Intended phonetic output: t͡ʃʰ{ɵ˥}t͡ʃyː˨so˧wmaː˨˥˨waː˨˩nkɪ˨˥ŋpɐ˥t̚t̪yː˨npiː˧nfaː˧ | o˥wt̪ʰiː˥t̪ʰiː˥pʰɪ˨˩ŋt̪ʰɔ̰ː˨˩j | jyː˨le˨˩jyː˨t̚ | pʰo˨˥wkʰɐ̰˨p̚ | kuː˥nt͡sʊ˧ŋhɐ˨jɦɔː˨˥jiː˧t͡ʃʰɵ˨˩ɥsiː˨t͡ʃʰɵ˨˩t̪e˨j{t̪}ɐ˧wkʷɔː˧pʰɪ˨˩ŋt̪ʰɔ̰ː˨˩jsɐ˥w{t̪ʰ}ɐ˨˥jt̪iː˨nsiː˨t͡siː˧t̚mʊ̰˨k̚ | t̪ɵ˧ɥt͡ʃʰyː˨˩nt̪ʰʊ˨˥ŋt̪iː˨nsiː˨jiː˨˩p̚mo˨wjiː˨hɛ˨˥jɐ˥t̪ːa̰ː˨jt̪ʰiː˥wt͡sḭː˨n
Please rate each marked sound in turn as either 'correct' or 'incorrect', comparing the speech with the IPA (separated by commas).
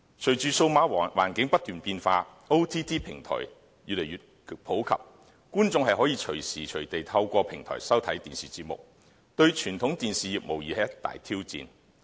incorrect, incorrect, correct